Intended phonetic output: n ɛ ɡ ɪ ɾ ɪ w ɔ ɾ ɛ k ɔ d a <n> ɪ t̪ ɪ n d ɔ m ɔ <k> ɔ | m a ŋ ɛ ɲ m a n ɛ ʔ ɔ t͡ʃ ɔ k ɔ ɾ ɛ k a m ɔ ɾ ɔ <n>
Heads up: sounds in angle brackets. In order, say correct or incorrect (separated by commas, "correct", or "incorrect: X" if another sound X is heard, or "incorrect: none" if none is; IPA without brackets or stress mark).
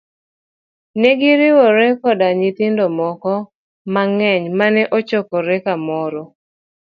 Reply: incorrect: ɲ, correct, incorrect: none